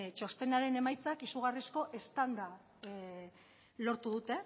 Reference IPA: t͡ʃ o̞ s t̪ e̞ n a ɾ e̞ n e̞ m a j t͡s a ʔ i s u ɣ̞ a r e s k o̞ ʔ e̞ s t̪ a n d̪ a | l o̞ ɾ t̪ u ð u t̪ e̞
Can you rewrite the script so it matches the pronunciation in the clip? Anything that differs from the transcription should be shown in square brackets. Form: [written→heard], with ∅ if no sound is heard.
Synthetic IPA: t͡ʃ o̞ s t̪ e̞ n a ɾ e̞ n e̞ m a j t͡s a [ʔ→k] i s u ɣ̞ a r [e→i] s k o̞ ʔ e̞ s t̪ a n d̪ a | l o̞ ɾ t̪ u ð u t̪ e̞